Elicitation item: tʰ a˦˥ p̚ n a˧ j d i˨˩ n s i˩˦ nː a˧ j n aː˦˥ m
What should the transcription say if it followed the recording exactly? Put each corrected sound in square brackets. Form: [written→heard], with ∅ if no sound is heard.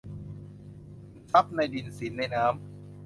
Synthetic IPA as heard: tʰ a˦˥ p̚ n a˧ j d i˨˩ n s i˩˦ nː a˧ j n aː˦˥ m